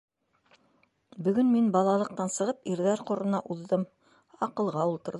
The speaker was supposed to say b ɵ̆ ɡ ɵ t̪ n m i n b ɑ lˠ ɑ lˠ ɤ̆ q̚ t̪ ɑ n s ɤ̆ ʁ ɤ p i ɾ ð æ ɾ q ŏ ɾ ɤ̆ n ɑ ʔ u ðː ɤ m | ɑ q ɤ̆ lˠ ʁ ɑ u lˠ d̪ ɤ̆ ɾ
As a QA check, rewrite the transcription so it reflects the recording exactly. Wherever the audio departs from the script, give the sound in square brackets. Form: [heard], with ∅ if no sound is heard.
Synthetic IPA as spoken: b ɵ̆ ɡ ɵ [∅] n m i n b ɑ lˠ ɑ lˠ ɤ̆ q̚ t̪ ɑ n s ɤ̆ ʁ ɤ p i ɾ ð æ ɾ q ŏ ɾ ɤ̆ n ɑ ʔ u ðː ɤ m | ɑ q ɤ̆ lˠ ʁ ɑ u lˠ [t̪] ɤ̆ ɾ

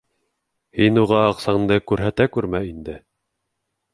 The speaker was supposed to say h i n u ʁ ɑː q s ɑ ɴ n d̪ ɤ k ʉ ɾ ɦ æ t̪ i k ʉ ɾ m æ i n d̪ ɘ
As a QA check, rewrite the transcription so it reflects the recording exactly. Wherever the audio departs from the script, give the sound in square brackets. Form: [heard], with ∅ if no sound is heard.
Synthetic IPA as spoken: h i n u ʁ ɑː q s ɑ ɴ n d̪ ɤ k ʉ ɾ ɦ æ t̪ [æ] k ʉ ɾ m æ i n d̪ ɘ

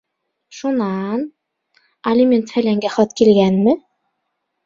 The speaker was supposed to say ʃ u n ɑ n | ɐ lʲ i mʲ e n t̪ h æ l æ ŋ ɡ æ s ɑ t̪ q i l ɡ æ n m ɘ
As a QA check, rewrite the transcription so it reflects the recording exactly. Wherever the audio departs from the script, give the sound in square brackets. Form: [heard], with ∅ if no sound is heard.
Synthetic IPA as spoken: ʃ u n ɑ n | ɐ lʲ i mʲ e n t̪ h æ l æ ŋ ɡ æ [χ] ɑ t̪ [k] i l ɡ æ n m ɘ

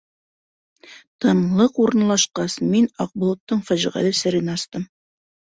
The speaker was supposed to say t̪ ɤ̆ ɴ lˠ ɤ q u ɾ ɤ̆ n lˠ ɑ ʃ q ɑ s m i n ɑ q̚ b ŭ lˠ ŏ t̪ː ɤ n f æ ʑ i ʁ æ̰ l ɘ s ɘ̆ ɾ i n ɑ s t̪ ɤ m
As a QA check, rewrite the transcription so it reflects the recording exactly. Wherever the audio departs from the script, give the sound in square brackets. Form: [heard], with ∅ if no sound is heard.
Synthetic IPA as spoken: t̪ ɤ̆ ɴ lˠ ɤ q u ɾ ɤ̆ n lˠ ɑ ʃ q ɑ s m i n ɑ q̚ b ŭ lˠ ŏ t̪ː ɤ [ɴ] f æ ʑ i ʁ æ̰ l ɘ s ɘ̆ ɾ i n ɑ s t̪ ɤ m

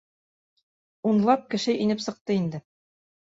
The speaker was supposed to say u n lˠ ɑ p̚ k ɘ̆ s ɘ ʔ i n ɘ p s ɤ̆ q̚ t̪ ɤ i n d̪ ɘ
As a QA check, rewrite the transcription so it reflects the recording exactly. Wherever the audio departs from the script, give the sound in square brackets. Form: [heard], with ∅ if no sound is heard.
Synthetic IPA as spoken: u n lˠ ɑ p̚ k ɘ̆ [ʃ] ɘ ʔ i n ɘ p s ɤ̆ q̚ t̪ ɤ i n d̪ ɘ

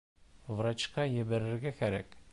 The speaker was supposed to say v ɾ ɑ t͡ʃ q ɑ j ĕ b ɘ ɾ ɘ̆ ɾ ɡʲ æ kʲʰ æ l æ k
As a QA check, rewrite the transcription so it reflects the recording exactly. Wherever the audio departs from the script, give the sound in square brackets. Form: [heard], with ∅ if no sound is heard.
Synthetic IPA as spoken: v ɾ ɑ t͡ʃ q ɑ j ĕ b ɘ ɾ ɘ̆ ɾ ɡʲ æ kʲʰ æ [ɾ] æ k

